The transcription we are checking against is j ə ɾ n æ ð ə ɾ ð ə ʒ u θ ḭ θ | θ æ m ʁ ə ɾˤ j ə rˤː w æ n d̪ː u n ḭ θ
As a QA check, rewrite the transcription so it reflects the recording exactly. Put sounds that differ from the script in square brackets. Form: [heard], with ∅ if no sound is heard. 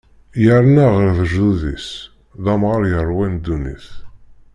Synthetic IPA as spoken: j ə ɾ n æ [ʁ] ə ɾ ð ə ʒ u [ð] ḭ [s] | [ð] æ m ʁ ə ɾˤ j ə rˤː w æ n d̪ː u n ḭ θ